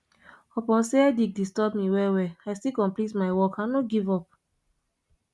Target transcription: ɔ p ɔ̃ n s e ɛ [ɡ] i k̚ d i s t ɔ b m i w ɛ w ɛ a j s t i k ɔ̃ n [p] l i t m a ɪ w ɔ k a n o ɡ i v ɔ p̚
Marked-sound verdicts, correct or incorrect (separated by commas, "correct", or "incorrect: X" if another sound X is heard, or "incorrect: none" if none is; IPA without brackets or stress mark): incorrect: d, correct